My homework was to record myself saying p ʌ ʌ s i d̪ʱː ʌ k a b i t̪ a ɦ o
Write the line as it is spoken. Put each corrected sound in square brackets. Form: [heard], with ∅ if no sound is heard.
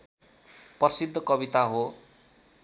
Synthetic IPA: p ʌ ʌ s i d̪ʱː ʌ k [ʌ] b i t̪ a ɦ o